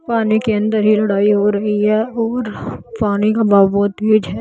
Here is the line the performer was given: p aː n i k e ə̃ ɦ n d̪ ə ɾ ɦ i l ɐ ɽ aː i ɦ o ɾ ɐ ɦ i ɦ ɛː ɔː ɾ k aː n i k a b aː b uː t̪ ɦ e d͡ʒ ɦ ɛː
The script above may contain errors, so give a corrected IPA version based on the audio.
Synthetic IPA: p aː n i k e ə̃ n d̪ ə ɾ ɦ i l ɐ ɽ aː i ɦ o ɾ ɐ ɦ i ɦ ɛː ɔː ɾ p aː n i k a b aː b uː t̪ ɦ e d͡ʒ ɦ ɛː